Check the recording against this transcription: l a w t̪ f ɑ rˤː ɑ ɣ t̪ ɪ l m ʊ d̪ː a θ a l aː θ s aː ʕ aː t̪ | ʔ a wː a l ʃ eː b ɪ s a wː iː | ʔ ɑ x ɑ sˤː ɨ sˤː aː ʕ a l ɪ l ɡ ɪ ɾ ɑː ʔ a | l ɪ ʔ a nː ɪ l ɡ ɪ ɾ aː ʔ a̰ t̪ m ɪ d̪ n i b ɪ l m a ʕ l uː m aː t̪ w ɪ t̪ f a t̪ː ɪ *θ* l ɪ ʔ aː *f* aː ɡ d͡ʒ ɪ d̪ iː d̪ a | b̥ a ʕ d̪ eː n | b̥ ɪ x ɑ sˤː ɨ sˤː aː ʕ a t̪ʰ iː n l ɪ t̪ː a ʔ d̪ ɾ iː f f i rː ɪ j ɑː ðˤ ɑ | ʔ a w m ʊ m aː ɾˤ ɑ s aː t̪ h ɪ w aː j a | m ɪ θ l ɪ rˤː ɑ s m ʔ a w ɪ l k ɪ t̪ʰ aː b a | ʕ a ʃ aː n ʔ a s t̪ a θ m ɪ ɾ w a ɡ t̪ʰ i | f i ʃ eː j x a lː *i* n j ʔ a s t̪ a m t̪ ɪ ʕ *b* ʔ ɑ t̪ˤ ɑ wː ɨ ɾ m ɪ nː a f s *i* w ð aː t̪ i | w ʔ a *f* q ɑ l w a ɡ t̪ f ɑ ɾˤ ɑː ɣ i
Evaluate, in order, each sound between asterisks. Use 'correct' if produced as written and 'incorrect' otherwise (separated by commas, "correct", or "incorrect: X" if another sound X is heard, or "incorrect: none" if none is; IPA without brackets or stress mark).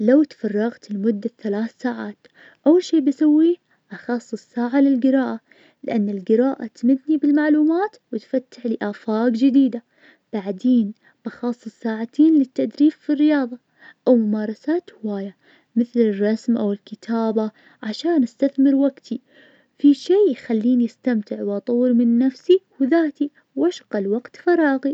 incorrect: ħ, correct, incorrect: iː, incorrect: w, correct, incorrect: ʃ